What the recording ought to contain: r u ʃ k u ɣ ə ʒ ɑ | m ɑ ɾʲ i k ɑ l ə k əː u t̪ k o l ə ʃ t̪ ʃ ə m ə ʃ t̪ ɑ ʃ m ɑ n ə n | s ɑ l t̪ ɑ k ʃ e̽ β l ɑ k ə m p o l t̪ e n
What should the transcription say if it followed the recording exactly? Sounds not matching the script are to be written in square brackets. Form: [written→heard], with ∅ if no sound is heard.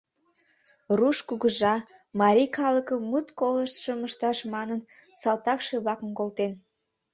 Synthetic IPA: r u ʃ k u ɣ ə ʒ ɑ | m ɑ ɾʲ i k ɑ l ə k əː u t̪ k o l ə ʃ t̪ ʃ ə m ə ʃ t̪ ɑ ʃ m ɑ n ə n | s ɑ l t̪ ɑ k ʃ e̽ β l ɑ k ə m [p→k] o l t̪ e n